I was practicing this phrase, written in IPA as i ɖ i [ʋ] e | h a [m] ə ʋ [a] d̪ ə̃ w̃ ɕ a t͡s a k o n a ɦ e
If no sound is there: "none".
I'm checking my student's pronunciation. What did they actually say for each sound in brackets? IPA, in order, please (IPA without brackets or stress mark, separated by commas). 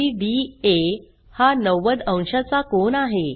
none, n, ə